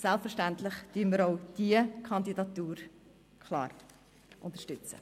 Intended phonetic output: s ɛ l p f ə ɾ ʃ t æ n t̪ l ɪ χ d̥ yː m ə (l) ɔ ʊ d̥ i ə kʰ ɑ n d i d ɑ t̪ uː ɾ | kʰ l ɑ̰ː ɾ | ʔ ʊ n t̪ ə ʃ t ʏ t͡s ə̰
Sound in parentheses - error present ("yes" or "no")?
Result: yes